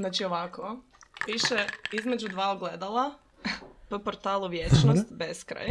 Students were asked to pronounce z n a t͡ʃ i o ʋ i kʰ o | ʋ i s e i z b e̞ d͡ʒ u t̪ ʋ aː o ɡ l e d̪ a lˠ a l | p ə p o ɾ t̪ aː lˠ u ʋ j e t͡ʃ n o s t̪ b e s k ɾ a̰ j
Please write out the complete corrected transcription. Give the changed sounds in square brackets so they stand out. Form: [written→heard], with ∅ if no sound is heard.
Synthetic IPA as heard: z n a t͡ʃ i o ʋ [i→a] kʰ o | ʋ i [s→ʃ] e i z [b→m] e̞ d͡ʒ u [t̪→d̪] ʋ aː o ɡ l e d̪ a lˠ a [l→∅] | p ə p o ɾ t̪ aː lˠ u ʋ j e t͡ʃ n o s t̪ b e s k ɾ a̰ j